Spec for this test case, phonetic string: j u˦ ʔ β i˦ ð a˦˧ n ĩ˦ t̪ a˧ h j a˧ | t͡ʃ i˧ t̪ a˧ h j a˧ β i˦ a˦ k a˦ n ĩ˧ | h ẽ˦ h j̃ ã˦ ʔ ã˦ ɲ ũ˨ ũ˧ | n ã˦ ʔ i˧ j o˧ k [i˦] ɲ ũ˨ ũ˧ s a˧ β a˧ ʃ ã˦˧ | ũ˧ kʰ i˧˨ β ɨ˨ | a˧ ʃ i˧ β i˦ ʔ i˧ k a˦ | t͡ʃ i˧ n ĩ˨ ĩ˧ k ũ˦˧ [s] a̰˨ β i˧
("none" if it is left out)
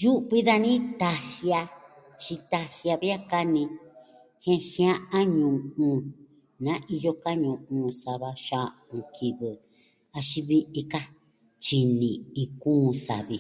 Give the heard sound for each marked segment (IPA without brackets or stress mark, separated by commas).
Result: a˦, s